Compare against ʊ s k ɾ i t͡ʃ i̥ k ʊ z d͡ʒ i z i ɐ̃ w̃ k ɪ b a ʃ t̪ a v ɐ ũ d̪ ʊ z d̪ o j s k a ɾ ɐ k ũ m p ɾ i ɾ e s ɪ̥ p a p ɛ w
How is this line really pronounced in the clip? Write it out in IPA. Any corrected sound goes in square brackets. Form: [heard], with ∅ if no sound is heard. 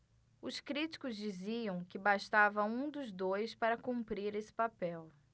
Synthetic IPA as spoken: ʊ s k ɾ i t͡ʃ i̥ k ʊ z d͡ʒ i z i ɐ̃ w̃ k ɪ b a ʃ t̪ a v ɐ ũ d̪ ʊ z d̪ o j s [p] a ɾ ɐ k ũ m p ɾ i ɾ e s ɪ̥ p a p ɛ w